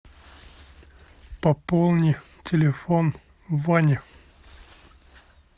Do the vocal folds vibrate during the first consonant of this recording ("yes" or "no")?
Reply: no